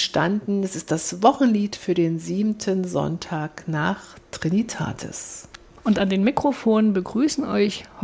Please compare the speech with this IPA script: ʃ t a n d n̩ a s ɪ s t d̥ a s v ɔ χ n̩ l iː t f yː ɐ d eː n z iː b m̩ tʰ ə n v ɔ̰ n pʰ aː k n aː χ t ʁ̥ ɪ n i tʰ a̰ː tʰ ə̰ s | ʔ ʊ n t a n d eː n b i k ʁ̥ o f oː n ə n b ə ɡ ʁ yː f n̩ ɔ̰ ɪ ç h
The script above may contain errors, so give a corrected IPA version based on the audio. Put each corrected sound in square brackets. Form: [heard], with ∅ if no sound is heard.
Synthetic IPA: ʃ t a n d n̩ [ɛ] s ɪ s t d̥ a s v ɔ χ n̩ l iː t f yː ɐ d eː n z iː b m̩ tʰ ə n [z] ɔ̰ n [tʰ] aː k n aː χ t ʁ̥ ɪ n i tʰ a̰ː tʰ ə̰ s | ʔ ʊ n t a n d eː n [m] i k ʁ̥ o f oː n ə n b ə ɡ ʁ yː [s] n̩ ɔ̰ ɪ ç h